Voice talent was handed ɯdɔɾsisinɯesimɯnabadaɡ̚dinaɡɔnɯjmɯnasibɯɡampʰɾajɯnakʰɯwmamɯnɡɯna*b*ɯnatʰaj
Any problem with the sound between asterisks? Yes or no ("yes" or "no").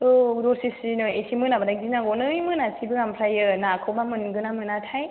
yes